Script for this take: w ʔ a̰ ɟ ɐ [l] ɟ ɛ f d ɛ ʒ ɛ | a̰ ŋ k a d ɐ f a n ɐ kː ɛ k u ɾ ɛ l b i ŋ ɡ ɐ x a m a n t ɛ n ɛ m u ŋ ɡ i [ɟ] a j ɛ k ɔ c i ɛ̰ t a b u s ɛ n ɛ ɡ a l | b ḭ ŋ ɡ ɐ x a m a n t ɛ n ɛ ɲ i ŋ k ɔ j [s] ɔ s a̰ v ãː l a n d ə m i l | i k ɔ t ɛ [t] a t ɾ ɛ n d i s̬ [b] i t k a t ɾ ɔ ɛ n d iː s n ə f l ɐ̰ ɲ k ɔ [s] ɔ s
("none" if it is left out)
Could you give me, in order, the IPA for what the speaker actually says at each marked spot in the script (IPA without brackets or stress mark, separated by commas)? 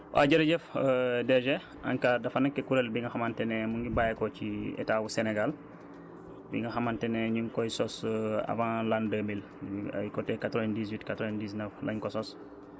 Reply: ɾ, b, s, k, w, s